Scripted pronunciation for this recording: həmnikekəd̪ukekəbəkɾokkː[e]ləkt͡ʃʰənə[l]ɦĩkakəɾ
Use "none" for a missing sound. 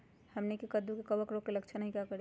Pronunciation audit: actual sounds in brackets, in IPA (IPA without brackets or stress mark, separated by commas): e, none